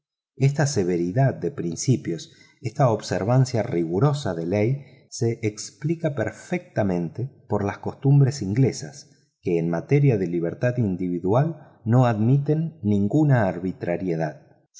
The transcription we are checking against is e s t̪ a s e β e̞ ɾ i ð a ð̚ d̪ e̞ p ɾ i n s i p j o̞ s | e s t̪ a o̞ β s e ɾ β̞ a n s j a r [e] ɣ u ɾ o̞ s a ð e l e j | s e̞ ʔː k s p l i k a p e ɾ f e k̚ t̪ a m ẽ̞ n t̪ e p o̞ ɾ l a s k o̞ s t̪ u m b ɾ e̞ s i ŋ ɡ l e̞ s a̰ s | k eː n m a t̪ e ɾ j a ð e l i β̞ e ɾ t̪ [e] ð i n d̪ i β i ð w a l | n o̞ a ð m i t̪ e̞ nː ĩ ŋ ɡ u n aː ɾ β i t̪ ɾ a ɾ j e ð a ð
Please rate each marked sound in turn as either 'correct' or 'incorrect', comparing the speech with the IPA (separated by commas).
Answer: incorrect, incorrect